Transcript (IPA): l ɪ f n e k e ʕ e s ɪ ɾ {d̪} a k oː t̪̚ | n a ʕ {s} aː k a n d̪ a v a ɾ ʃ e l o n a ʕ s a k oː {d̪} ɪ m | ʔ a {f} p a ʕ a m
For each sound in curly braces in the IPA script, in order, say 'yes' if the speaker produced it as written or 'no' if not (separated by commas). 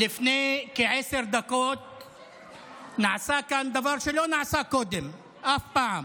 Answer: yes, yes, yes, yes